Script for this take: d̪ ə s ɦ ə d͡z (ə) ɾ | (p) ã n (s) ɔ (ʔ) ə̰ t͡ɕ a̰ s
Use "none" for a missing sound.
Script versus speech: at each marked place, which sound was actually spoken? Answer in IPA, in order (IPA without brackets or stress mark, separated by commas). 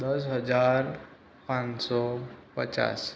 a, p, s, p